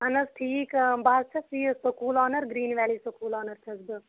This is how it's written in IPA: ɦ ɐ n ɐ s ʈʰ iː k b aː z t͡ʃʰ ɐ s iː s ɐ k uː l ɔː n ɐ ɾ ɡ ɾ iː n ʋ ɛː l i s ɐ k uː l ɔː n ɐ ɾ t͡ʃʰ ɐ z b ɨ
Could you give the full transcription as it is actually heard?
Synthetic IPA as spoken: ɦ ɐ n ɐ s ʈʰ iː k b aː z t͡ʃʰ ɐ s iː s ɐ k uː l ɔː n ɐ ɾ ɡ ɾ iː n ʋ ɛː l i s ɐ k uː l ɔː n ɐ ɾ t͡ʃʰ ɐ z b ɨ